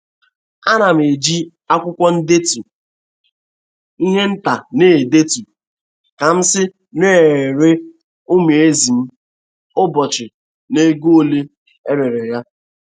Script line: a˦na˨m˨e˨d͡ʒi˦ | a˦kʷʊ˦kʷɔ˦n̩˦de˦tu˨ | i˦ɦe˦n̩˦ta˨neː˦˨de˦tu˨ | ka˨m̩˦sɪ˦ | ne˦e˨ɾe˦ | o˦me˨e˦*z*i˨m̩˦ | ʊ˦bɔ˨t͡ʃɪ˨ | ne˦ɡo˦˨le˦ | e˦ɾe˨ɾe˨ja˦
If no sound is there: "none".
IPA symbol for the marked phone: z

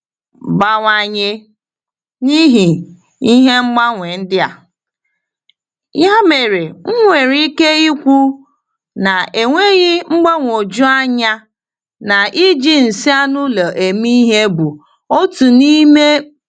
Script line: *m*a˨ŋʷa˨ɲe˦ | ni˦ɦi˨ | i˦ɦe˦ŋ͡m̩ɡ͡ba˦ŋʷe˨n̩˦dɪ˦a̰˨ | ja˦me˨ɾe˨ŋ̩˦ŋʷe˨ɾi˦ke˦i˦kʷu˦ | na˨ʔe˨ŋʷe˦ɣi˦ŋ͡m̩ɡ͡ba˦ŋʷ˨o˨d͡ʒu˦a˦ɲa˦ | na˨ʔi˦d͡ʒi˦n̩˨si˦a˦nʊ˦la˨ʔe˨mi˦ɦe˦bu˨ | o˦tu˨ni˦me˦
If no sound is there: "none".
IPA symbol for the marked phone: b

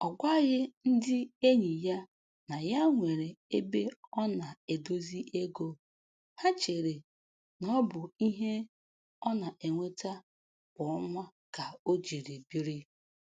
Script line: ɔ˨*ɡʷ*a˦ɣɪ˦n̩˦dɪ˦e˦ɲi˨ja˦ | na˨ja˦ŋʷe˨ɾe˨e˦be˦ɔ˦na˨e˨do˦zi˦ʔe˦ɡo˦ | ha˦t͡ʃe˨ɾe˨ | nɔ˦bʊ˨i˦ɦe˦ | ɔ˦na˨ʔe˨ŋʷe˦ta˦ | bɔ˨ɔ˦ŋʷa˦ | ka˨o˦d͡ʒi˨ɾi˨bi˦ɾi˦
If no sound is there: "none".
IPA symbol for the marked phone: ɡʷ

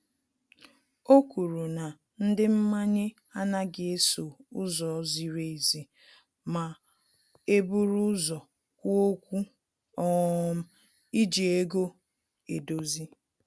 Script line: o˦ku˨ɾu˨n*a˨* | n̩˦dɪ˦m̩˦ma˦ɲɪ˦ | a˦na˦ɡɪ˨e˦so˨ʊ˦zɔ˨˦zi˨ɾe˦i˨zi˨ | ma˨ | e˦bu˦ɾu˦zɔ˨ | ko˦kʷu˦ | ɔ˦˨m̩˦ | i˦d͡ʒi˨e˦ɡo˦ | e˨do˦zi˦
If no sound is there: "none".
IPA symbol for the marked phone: a˨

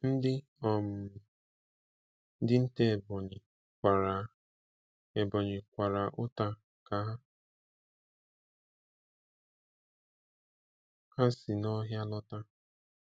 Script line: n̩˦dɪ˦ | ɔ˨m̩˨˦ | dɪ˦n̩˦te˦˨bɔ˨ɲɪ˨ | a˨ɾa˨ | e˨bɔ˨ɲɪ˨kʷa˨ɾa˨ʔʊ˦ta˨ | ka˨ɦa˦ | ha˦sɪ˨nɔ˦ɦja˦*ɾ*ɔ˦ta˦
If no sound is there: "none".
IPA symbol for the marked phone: l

